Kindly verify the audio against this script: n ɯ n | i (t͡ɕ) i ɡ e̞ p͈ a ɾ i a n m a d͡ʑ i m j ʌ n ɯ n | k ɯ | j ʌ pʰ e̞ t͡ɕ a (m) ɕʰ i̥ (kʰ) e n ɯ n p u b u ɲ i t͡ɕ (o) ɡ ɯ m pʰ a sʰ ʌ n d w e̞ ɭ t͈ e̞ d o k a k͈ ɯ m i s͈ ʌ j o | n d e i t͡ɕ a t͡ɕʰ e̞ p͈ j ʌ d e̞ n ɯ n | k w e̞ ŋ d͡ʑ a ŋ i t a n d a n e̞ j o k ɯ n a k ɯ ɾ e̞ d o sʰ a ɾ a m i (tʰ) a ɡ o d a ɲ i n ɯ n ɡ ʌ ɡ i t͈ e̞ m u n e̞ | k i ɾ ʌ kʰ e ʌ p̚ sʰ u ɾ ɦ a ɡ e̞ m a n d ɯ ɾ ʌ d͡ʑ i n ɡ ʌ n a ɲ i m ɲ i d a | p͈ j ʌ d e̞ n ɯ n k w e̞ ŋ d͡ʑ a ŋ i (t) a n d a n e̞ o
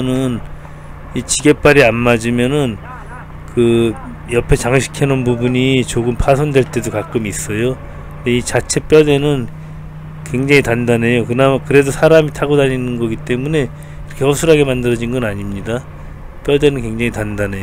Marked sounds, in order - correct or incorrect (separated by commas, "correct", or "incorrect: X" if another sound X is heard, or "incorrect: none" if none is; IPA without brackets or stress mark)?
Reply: correct, incorrect: ŋ, correct, correct, correct, correct